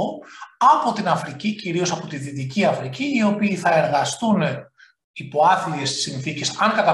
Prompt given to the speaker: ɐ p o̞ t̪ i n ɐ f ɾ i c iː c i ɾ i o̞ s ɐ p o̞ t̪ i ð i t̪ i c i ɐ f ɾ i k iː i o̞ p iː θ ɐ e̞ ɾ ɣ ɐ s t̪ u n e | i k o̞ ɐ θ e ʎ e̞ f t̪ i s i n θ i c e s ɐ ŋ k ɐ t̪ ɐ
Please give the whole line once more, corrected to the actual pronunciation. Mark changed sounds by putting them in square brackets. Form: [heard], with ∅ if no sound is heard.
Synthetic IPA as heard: ɐ p o̞ t̪ i n ɐ f ɾ i c [i] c i ɾ i o̞ s ɐ p o̞ t̪ i ð i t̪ i c i ɐ f ɾ i [c] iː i o̞ p iː θ ɐ e̞ ɾ ɣ ɐ s t̪ u n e | i [p] o̞ ɐ θ [i] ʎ e̞ [s] t̪ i s i n θ i c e s ɐ ŋ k ɐ t̪ ɐ